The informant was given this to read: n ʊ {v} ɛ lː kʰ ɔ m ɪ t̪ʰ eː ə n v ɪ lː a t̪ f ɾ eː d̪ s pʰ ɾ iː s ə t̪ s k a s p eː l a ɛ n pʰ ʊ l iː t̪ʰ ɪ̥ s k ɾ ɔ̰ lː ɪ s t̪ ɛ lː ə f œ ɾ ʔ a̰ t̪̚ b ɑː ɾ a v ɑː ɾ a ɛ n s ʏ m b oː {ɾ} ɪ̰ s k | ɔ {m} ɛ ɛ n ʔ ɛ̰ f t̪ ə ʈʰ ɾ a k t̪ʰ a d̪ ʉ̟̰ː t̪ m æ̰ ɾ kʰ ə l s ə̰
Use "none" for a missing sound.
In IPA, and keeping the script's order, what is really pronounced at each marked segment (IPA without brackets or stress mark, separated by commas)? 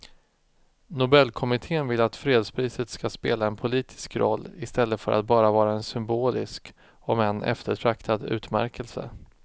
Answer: b, l, m